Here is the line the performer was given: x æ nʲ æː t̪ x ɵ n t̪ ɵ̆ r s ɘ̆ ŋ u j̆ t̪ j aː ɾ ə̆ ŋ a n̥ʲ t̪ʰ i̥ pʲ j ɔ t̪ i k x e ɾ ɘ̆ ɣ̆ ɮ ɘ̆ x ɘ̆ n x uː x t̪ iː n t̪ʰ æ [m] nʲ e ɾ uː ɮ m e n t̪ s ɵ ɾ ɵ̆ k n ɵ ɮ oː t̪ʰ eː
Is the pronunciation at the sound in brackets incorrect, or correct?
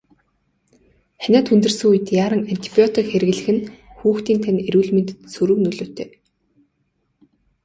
incorrect